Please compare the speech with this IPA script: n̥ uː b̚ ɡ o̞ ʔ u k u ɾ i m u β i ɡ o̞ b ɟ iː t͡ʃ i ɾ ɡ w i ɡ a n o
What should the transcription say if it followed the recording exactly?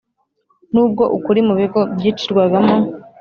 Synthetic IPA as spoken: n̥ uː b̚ ɡ o̞ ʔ u k u ɾ i m u β i ɡ o̞ b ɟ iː t͡ʃ i ɾ ɡ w a ɡ a m o